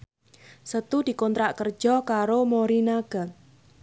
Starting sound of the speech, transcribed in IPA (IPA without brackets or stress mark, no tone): s